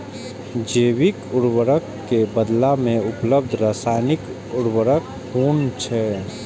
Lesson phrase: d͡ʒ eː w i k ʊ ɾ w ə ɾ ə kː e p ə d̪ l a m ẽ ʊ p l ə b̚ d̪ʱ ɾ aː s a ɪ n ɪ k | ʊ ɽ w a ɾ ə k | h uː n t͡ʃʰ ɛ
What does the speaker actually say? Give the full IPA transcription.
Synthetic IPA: d͡ʒ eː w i k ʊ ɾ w ə ɾ ə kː e b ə d̪ l a m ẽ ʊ p l ə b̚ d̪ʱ ɾ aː s a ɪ n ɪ k | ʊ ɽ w ə ɾ ə k | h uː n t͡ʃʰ ɛ